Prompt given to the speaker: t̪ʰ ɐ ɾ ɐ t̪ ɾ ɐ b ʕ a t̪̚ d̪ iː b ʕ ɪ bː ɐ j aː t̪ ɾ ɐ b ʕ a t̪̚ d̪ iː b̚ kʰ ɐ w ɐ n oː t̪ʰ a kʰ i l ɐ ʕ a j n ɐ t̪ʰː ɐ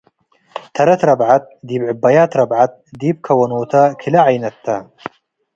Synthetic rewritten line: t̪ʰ ɐ ɾ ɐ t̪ ɾ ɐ b ʕ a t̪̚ d̪ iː b ʕ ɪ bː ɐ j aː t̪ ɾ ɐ b ʕ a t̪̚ d̪ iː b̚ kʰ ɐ w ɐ n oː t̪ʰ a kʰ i l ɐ ʕ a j n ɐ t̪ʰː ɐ